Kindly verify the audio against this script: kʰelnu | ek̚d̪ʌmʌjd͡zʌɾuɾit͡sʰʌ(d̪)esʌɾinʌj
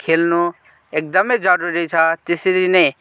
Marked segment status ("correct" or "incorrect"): incorrect